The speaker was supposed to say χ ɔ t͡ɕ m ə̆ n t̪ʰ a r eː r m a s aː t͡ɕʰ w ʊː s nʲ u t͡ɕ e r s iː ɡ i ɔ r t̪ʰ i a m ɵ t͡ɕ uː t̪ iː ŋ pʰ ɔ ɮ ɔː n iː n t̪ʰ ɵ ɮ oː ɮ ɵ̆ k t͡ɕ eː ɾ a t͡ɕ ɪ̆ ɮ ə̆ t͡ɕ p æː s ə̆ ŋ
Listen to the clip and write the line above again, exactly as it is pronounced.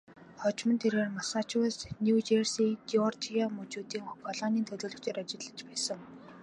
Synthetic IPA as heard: χ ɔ t͡ɕ m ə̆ n t̪ʰ e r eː r m a s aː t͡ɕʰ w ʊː s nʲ u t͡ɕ e r s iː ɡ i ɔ r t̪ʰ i a m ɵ t͡ɕ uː t̪ iː ŋ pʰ ɔ ɮ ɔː n iː n t̪ʰ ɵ ɮ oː ɮ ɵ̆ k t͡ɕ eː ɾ a t͡ɕ ɪ̆ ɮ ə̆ t͡ɕ p æː s ə̆ ŋ